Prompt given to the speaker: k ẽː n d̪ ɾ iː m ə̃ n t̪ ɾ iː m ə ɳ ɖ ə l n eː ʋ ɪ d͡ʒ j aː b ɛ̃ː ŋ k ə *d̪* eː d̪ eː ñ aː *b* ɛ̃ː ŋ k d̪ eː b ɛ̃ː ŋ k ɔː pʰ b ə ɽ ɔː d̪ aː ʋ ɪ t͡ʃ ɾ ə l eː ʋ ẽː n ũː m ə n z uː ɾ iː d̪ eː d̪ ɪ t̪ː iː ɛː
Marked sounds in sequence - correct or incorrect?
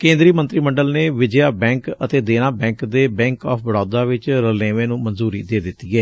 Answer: incorrect, correct

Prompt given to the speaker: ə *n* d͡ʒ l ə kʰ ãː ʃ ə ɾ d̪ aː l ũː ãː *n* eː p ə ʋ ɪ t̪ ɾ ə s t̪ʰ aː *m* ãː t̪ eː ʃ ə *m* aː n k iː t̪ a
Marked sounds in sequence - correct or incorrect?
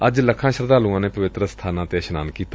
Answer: incorrect, correct, incorrect, incorrect

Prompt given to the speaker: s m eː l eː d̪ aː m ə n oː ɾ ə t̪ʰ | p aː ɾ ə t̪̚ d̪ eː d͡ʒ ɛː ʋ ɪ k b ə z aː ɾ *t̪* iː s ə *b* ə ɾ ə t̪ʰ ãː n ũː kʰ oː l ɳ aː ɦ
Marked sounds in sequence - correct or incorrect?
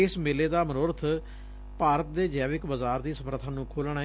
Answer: incorrect, incorrect

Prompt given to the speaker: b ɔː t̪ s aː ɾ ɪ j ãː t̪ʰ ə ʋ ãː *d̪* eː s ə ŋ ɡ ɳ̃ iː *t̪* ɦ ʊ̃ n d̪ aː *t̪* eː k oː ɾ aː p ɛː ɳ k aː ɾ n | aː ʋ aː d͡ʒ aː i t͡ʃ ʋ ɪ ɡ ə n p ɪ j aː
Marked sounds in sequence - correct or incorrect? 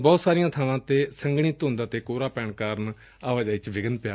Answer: incorrect, correct, correct

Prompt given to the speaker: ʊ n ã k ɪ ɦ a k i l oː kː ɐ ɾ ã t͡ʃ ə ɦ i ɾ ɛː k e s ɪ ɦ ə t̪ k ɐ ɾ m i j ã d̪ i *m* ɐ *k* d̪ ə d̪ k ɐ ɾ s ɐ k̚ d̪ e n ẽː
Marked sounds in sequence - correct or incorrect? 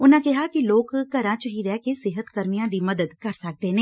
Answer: correct, incorrect

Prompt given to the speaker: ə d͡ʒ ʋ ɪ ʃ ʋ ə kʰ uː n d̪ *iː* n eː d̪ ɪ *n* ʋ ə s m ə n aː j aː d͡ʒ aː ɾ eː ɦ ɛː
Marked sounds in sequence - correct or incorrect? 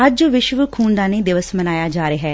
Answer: incorrect, incorrect

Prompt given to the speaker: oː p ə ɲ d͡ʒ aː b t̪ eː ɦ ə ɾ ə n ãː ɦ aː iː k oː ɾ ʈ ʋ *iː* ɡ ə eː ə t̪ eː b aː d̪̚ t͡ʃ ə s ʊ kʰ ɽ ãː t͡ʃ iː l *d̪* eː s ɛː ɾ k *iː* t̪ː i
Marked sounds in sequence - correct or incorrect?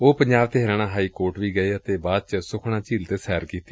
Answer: correct, incorrect, correct

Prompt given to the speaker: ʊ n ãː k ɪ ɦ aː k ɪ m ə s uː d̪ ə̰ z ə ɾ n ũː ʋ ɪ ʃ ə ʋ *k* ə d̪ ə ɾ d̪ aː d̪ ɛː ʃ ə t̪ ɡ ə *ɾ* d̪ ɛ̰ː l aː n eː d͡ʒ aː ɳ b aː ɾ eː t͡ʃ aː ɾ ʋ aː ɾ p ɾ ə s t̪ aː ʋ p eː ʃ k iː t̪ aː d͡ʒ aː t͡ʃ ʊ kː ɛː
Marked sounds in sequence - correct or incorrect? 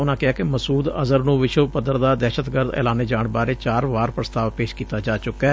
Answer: incorrect, correct

